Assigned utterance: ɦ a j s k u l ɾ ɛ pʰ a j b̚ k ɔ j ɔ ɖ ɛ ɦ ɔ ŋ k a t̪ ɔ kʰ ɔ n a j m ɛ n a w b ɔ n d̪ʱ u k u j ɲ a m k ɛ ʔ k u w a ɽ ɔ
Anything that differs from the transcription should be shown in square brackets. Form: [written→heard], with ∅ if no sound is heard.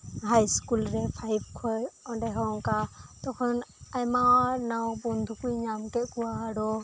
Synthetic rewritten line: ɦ a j s k u l ɾ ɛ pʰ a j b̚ [k→kʰ] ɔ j ɔ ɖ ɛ ɦ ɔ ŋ k a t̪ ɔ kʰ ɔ n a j m [ɛ→a] n a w b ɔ n d̪ʱ u k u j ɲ a m k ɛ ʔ k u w a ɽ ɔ